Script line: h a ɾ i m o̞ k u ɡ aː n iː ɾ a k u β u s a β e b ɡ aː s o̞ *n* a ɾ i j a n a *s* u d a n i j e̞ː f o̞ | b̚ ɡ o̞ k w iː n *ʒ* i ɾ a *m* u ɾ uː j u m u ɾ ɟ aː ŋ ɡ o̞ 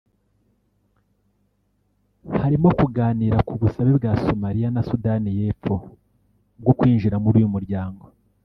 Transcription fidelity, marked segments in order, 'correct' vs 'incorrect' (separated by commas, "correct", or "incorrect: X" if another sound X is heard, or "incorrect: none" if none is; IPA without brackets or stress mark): incorrect: m, correct, correct, correct